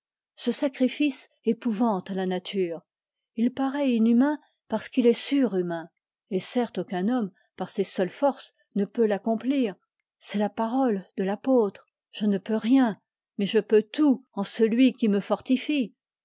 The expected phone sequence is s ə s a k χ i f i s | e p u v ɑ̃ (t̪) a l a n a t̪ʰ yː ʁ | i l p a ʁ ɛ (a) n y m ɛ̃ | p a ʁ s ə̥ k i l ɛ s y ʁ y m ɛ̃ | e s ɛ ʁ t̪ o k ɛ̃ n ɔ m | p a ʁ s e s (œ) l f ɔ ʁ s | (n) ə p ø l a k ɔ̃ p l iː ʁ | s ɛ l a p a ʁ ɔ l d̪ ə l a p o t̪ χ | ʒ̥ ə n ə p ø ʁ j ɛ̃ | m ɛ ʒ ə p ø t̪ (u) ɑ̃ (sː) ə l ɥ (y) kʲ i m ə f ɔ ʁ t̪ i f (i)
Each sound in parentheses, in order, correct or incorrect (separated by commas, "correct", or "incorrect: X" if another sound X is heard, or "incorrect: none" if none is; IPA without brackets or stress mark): correct, incorrect: i, correct, correct, correct, incorrect: s, incorrect: i, correct